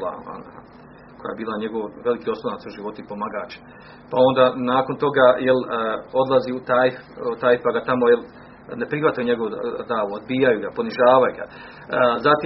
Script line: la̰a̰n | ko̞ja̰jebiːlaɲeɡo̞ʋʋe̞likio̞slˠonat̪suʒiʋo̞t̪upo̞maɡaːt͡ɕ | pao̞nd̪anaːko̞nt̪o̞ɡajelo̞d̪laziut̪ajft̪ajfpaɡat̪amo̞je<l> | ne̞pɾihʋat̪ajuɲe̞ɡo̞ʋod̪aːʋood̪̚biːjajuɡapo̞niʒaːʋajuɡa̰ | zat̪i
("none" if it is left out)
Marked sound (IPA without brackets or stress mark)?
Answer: l